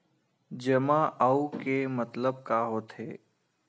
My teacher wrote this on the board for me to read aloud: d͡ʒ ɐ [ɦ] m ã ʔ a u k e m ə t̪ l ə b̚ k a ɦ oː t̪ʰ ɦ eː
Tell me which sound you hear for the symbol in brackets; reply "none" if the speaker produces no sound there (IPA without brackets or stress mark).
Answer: none